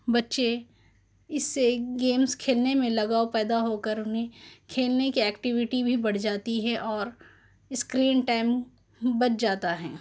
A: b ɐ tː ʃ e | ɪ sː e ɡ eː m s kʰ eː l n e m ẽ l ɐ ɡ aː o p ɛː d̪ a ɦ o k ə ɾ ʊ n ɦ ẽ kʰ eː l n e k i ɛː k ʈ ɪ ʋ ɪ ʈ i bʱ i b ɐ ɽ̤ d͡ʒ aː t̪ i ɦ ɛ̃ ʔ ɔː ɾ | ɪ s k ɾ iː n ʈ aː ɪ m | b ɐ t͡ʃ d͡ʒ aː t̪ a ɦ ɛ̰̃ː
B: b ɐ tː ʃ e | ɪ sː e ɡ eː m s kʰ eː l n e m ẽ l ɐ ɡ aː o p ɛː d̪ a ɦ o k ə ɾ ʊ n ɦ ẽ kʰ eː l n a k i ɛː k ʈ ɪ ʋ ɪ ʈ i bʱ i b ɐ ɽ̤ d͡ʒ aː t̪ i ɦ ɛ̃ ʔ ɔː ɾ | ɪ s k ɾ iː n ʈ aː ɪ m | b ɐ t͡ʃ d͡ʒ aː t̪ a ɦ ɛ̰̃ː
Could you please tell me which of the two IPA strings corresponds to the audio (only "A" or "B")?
A